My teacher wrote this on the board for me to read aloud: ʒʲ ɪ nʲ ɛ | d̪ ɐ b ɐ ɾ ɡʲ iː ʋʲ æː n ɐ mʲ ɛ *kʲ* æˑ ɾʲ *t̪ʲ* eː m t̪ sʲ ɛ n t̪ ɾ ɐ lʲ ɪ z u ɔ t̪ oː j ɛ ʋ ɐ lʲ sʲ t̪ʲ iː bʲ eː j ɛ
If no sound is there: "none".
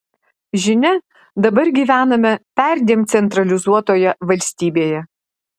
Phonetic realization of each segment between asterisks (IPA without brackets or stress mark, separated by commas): pʲ, d̪ʲ